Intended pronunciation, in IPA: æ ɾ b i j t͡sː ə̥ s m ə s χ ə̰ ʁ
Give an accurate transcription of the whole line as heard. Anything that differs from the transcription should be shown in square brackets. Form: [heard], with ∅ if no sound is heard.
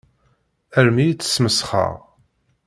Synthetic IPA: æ ɾ [m] i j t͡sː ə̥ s m ə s χ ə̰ ʁ